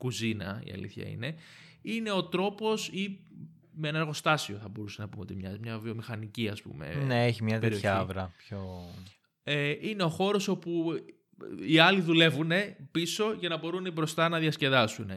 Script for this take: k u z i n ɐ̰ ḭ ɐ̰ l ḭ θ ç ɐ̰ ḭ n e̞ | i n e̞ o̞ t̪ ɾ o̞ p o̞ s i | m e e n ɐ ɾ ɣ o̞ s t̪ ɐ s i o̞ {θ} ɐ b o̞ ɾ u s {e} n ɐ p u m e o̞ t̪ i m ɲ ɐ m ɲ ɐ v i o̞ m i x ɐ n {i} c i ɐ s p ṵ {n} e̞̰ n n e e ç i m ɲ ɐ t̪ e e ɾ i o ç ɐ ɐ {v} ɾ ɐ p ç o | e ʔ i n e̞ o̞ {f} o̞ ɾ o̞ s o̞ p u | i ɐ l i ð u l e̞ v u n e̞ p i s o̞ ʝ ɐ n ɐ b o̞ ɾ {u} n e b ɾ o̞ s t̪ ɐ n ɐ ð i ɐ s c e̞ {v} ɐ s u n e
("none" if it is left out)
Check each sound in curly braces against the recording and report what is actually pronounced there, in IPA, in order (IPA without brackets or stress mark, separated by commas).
θ, e, i, m, v, x, u, ð